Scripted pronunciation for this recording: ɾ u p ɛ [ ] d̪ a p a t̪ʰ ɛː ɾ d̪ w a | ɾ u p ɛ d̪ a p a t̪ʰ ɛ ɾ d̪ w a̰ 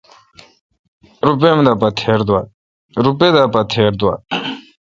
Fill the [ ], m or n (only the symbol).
m